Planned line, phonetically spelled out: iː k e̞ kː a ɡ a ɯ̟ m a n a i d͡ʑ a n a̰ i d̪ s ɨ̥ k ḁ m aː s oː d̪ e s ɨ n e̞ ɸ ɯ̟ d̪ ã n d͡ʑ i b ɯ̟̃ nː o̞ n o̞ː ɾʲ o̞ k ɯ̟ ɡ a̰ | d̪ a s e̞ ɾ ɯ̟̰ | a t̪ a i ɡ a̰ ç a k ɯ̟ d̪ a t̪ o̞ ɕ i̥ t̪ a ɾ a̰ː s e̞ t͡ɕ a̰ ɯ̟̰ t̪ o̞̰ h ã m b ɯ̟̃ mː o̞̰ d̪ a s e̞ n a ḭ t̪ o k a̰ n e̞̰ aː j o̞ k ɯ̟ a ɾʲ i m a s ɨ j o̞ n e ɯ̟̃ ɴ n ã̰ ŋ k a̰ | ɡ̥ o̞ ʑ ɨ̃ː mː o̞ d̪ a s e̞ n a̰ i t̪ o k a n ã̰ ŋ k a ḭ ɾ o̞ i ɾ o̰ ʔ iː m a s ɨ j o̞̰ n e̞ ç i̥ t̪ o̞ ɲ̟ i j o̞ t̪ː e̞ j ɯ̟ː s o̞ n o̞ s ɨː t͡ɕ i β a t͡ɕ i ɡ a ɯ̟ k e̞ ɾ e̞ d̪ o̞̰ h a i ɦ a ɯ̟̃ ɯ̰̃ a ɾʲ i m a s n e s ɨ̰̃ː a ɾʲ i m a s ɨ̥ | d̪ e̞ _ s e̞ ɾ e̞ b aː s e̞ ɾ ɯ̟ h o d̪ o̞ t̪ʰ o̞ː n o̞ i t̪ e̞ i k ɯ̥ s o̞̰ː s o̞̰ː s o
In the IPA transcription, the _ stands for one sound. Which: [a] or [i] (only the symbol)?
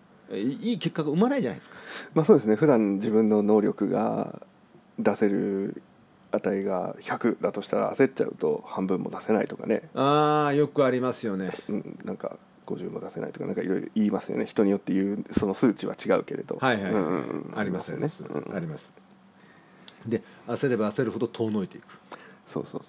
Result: a